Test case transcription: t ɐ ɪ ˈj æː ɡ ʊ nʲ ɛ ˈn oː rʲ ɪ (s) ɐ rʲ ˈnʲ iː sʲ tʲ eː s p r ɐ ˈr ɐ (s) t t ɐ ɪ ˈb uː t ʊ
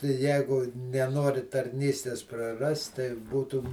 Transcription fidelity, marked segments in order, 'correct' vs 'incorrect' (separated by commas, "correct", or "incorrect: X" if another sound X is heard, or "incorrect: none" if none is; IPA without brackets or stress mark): incorrect: t, correct